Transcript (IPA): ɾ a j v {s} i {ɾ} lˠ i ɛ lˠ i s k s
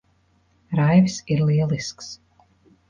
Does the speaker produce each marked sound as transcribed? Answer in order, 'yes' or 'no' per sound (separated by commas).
yes, yes